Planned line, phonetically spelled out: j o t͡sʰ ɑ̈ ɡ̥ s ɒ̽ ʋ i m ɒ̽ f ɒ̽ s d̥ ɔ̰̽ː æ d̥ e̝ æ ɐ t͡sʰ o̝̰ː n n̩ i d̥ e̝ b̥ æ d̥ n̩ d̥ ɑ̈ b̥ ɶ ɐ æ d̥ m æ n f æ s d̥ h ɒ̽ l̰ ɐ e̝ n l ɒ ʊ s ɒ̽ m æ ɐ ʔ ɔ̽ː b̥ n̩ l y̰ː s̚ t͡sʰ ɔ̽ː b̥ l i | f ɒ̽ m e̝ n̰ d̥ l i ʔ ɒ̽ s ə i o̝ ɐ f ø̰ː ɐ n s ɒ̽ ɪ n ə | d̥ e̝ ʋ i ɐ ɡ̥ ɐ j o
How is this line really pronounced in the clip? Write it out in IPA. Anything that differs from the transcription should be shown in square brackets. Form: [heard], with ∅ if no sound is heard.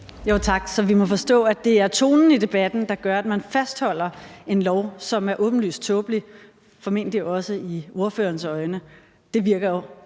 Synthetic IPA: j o t͡sʰ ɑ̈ ɡ̥ s ɒ̽ ʋ i m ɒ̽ f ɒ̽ s d̥ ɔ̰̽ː æ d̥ e̝ æ ɐ t͡sʰ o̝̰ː n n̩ i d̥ e̝ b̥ æ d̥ n̩ d̥ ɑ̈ [ɡ̥] ɶ ɐ æ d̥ m æ n f æ s d̥ h ɒ̽ l̰ ɐ e̝ n l ɒ ʊ s ɒ̽ m æ ɐ ʔ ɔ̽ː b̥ n̩ l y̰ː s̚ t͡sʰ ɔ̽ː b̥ l i | f ɒ̽ m e̝ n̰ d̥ l i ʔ ɒ̽ s ə i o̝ ɐ f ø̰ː ɐ n s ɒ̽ ɪ n ə | d̥ e̝ ʋ i ɐ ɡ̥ ɐ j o

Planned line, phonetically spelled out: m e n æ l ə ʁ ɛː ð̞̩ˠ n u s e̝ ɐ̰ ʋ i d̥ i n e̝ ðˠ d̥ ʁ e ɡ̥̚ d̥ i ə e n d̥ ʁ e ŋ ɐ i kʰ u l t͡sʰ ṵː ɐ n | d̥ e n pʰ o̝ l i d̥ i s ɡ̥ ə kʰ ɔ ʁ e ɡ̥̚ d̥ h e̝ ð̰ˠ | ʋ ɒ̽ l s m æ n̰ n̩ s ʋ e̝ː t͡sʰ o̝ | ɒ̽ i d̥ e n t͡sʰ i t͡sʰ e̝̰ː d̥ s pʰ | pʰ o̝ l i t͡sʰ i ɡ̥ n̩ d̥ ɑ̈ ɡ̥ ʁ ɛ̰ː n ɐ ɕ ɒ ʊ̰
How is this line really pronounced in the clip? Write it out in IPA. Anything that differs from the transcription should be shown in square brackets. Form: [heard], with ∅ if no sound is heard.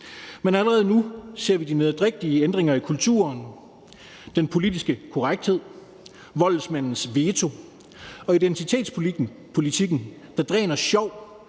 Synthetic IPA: m e n æ l ə ʁ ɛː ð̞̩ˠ n u s e̝ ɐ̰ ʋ i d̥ i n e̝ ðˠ d̥ ʁ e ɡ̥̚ d̥ i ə e n d̥ ʁ e ŋ ɐ i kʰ u l t͡sʰ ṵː ɐ n | d̥ e n pʰ o̝ l i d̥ i s ɡ̥ ə kʰ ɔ ʁ [a] ɡ̥̚ d̥ h e̝ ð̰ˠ | ʋ ɒ̽ l s m æ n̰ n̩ s ʋ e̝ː t͡sʰ o̝ | ɒ̽ i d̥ e n t͡sʰ i t͡sʰ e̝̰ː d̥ s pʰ | pʰ o̝ l i t͡sʰ i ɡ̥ n̩ d̥ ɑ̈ [d̥] ʁ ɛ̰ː n ɐ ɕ ɒ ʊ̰

